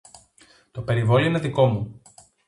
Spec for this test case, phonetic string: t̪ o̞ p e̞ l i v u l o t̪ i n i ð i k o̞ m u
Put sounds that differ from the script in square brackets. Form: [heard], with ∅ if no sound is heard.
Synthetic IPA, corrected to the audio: t̪ o̞ p e̞ [ɾ] i v [o] l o [∅] i n [e] ð i k o̞ m u